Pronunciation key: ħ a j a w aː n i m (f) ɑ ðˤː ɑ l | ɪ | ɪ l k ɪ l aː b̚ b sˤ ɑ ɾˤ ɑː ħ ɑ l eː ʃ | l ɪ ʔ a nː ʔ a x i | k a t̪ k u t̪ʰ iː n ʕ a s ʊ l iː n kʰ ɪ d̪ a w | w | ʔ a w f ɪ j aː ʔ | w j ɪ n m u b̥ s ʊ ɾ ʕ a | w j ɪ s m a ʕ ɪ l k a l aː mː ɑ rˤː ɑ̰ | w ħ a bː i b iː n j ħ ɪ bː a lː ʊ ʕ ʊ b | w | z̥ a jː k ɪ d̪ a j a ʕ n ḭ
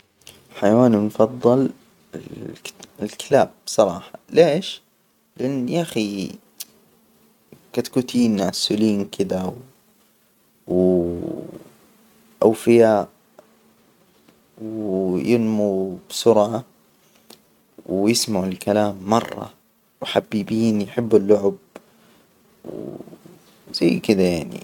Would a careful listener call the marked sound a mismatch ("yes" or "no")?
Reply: no